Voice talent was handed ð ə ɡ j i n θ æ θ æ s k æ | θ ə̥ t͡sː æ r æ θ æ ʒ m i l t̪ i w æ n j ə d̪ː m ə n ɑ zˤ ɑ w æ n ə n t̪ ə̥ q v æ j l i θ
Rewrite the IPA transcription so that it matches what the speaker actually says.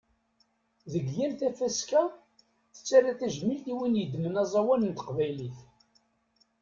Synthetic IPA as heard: ð ə ɡ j æ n θ æ f æ s k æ | θ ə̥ t͡sː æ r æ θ æ ʒ m i l t̪ i w i n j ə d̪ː m ə n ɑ zˤ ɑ w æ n ə n t̪ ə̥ q v æ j l i θ